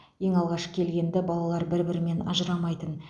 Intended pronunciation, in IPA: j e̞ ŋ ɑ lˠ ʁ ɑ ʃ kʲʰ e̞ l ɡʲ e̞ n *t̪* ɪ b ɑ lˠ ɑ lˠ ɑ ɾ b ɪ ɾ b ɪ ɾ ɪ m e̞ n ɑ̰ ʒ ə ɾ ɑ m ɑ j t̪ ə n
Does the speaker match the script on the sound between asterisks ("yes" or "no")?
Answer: no